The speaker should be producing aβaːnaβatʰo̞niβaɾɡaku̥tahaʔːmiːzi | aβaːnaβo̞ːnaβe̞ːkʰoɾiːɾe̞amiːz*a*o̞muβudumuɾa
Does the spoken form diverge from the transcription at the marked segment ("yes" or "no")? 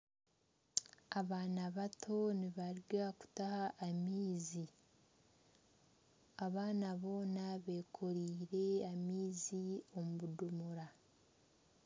yes